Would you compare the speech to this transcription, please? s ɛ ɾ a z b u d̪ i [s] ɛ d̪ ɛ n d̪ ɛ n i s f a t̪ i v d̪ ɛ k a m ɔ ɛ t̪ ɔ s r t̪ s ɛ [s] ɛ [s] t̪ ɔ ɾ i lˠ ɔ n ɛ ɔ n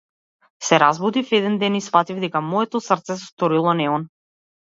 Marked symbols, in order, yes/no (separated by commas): no, yes, yes